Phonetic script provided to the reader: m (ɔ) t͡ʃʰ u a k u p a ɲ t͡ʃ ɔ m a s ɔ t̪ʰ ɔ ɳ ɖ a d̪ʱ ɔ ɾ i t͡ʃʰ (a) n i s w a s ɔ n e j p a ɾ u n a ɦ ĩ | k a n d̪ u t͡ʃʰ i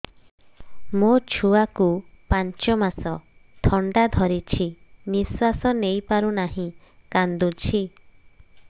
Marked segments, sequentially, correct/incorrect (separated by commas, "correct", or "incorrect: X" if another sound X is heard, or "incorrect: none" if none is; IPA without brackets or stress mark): incorrect: o, incorrect: i